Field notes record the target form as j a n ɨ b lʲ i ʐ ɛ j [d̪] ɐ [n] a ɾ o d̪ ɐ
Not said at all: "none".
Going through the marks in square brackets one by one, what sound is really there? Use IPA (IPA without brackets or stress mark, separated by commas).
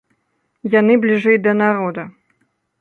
d̪, n